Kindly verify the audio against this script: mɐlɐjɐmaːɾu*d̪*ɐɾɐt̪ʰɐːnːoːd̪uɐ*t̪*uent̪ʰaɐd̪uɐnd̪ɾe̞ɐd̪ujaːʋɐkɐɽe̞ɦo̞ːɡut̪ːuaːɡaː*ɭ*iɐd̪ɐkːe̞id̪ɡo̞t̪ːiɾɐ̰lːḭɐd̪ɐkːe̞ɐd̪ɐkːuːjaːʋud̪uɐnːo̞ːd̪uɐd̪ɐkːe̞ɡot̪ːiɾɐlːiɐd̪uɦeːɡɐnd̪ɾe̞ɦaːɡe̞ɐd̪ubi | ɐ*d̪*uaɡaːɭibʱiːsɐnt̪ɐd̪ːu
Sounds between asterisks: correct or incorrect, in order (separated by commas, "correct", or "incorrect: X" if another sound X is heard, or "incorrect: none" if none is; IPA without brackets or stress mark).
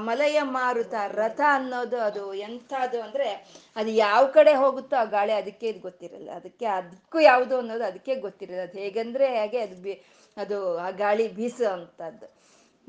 incorrect: t̪, incorrect: d̪, correct, correct